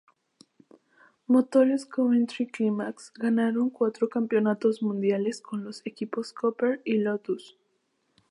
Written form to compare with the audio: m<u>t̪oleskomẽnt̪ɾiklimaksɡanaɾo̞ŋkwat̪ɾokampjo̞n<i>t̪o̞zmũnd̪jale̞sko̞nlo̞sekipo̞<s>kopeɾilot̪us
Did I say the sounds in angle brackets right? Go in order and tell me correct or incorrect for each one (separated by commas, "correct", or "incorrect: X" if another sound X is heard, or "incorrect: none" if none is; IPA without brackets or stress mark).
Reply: incorrect: o, incorrect: a, correct